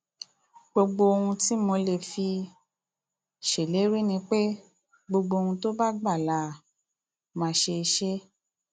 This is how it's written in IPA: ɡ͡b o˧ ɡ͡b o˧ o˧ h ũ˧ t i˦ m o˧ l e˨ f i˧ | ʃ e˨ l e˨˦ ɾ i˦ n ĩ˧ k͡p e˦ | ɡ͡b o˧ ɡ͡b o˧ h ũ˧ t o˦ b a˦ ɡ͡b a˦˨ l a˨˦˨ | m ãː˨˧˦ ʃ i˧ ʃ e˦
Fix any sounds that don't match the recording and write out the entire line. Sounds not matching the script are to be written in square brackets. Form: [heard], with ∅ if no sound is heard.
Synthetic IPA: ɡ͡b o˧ ɡ͡b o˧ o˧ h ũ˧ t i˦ m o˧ l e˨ f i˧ | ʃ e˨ l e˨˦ ɾ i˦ n ĩ˧ k͡p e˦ | ɡ͡b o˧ ɡ͡b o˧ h ũ˧ t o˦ b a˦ ɡ͡b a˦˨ l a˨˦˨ | m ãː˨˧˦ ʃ [e˧] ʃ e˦